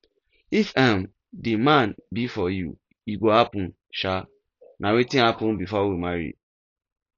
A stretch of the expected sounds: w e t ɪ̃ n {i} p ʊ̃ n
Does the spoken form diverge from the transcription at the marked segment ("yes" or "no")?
yes